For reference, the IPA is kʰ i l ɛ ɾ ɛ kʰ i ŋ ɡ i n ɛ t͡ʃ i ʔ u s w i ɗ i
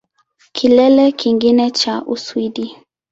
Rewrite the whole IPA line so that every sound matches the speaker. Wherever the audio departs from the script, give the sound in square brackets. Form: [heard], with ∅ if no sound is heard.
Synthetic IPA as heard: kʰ i l ɛ [l] ɛ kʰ i ŋ ɡ i n ɛ t͡ʃ [a] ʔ u s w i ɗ i